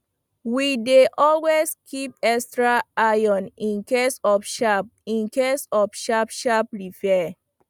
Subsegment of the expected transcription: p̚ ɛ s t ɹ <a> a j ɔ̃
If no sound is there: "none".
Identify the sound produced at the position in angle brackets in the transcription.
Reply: a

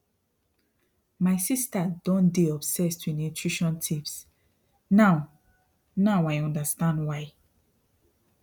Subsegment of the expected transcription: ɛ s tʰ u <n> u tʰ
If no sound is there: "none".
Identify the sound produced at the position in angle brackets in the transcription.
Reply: n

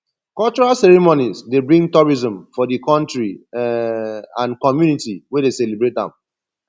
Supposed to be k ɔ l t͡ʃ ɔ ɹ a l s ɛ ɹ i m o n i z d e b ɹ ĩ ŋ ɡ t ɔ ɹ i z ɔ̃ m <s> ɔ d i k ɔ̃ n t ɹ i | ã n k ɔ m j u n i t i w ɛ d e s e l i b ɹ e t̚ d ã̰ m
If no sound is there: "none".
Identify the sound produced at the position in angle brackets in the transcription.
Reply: f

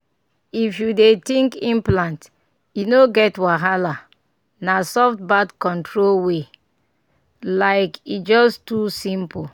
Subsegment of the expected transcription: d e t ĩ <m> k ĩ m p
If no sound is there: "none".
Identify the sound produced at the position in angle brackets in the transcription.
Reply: ŋ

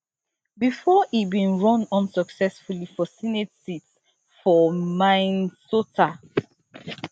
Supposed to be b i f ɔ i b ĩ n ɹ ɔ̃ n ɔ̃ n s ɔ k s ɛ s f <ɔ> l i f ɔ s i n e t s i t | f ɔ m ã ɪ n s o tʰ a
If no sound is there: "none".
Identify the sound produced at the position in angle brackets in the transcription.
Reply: u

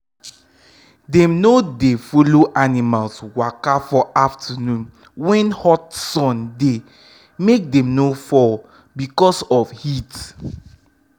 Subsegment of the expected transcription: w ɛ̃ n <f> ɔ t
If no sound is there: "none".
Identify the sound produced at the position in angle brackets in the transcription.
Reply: h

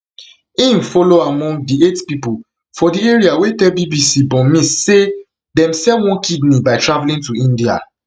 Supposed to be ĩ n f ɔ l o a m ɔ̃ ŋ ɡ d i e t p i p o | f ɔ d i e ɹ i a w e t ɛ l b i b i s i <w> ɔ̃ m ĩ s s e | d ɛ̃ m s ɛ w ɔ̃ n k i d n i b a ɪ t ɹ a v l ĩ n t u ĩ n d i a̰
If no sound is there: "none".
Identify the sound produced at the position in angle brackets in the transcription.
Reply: b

